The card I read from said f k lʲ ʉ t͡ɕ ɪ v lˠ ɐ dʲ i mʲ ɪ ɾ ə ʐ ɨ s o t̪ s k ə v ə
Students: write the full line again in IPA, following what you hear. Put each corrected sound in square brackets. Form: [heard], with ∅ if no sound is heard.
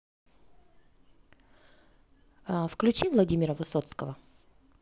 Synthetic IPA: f k lʲ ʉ t͡ɕ [i] v lˠ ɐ dʲ i mʲ ɪ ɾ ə [v] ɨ s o t̪ s k ə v ə